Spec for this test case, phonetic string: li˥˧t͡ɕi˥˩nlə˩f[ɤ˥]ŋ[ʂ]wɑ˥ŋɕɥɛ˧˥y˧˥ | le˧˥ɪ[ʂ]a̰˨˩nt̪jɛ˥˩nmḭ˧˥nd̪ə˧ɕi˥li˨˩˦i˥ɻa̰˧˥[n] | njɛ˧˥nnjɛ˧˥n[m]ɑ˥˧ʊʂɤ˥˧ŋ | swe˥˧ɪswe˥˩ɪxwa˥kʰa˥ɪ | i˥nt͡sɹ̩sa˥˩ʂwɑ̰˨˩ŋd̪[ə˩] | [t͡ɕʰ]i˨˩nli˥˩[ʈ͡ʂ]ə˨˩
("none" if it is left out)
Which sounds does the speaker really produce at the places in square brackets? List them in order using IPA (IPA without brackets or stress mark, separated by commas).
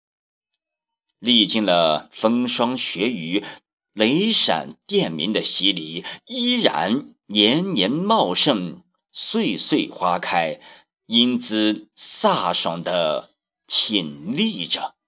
ɤ˥, ʂ, ʂ, n, m, ə˦, t͡ɕʰ, ʈ͡ʂ